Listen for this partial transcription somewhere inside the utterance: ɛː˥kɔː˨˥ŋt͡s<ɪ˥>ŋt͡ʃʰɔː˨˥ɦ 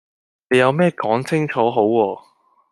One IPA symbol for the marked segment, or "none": ɪ˥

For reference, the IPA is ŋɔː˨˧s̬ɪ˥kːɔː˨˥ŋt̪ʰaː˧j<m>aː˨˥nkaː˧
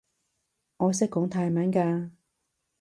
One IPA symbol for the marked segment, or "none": m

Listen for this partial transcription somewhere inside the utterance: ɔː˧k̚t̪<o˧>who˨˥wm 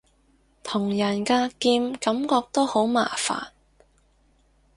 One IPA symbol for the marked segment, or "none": o˥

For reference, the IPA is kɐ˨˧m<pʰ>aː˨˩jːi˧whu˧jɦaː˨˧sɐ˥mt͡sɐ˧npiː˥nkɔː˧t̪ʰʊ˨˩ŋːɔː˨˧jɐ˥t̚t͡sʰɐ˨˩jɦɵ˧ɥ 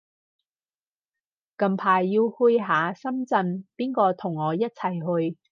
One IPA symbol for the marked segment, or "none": pʰ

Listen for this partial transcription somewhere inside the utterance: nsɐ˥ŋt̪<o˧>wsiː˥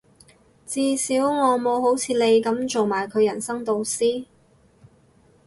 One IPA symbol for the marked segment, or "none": o˧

